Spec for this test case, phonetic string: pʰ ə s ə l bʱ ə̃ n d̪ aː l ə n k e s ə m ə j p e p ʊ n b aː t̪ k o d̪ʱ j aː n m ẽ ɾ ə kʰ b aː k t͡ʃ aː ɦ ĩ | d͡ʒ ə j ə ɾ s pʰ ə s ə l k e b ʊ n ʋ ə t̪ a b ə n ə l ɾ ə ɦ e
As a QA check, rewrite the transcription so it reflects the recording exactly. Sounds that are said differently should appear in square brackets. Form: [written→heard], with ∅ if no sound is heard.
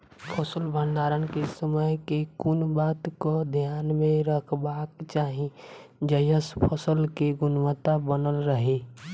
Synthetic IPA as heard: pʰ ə s ə l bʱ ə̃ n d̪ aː [l→ɾ] ə n k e s ə m ə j [p→k] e [p→k] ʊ n b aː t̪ k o d̪ʱ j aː n m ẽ ɾ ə kʰ b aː k t͡ʃ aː ɦ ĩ | d͡ʒ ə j ə [ɾ→∅] s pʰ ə s ə l k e [b→ɡ] ʊ n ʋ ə t̪ a b ə n ə l ɾ ə ɦ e